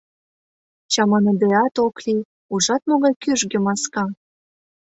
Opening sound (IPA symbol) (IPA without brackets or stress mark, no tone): t͡ɕ